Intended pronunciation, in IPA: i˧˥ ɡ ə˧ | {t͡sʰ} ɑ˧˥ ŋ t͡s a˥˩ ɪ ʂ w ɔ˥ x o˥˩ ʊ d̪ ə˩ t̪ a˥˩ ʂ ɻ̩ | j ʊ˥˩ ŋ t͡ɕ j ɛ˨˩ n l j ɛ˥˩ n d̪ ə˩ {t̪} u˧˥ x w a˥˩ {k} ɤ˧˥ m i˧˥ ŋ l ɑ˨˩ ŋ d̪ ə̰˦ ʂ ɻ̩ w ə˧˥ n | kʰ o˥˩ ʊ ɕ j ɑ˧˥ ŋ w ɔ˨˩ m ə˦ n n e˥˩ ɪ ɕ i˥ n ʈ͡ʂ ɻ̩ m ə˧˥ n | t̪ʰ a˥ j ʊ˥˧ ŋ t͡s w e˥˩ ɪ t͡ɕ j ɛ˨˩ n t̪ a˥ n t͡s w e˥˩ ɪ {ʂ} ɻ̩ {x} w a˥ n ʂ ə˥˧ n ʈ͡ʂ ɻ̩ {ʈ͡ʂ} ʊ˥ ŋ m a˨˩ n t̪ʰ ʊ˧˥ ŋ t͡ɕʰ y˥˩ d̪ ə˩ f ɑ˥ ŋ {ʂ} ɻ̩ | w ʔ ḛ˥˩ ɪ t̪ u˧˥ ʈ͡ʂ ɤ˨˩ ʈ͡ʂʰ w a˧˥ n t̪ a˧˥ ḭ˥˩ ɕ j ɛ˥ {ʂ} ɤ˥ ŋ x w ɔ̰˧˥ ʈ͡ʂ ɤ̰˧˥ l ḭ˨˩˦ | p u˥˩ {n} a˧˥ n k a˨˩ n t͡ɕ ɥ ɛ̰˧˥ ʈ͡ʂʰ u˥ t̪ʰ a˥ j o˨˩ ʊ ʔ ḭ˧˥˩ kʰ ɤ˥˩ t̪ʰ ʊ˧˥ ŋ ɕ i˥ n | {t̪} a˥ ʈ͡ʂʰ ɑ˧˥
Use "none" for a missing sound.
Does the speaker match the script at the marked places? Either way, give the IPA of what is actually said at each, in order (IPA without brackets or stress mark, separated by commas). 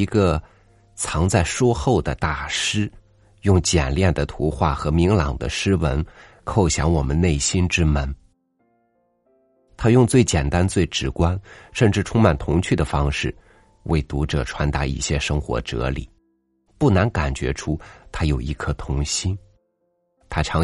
t͡sʰ, t̪ʰ, x, ʈ͡ʂ, k, ʈ͡ʂʰ, ʂ, ʂ, n, t̪ʰ